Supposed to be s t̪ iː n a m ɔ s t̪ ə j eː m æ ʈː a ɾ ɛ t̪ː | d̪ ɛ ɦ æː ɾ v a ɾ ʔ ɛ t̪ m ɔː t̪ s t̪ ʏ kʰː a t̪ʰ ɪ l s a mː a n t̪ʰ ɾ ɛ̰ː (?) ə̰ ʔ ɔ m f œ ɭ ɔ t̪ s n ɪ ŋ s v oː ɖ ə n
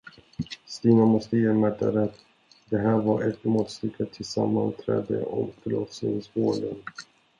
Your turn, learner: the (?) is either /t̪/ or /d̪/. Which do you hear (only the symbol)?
d̪